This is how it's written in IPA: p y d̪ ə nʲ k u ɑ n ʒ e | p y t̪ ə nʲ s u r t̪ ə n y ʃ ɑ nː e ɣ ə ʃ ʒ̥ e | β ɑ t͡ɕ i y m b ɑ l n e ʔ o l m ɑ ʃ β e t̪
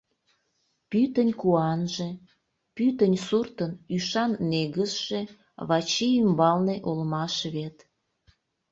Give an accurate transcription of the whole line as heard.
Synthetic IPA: p y t̪ ə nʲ k u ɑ n ʒ e | p y t̪ ə nʲ s u r t̪ ə n y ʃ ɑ nː e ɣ ə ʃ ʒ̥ e | β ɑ t͡ɕ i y m b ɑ l n e ʔ o l m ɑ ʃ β e t̪